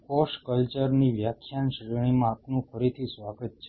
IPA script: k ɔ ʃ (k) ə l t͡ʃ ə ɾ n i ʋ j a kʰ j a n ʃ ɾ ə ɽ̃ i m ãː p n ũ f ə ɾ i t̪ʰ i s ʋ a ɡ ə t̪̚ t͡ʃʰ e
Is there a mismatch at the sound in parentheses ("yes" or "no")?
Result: no